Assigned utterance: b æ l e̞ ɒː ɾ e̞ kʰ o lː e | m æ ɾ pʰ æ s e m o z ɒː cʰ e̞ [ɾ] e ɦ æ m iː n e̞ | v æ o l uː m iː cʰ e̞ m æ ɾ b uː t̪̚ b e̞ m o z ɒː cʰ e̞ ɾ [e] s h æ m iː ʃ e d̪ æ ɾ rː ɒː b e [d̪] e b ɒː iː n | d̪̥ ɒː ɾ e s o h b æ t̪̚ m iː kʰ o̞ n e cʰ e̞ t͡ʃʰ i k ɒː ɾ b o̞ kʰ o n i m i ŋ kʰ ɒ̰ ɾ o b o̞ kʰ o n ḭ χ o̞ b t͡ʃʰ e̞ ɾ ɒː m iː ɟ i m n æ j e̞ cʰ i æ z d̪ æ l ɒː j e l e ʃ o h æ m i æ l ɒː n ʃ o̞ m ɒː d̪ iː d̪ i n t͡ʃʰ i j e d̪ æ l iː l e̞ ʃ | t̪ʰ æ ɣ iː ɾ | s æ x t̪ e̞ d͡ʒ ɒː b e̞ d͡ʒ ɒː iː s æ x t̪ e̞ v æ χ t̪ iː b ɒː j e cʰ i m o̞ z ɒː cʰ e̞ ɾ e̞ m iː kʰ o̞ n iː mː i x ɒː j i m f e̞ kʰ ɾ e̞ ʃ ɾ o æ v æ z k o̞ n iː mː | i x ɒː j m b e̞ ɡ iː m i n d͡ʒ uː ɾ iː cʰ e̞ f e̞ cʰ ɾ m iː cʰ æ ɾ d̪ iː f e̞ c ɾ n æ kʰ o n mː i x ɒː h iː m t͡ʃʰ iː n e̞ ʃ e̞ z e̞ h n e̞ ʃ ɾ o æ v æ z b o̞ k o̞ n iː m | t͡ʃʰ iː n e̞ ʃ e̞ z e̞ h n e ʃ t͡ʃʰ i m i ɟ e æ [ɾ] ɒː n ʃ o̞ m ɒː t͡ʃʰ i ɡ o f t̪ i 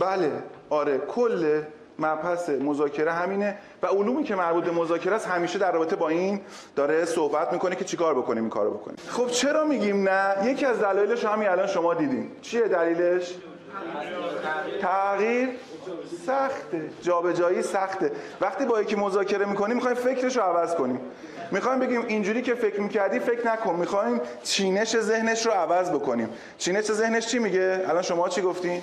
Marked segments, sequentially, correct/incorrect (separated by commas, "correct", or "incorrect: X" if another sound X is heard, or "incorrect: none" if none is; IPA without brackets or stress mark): correct, incorrect: æ, incorrect: t̪, incorrect: l